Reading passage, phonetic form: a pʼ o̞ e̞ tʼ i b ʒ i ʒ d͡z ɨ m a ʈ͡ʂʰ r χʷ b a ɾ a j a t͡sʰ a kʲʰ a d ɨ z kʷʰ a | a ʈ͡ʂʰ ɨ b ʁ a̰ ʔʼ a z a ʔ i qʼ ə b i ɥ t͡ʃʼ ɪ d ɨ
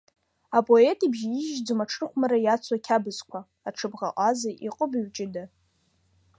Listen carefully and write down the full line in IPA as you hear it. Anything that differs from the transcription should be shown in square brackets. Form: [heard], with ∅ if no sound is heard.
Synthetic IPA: a pʼ o̞ e̞ tʼ i b ʒ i ʒ d͡z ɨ m a ʈ͡ʂʰ r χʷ [m] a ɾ a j a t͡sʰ a kʲʰ a [b] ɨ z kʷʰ a | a ʈ͡ʂʰ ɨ b ʁ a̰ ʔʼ a z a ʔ i qʼ ə b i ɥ t͡ʃʼ ɪ d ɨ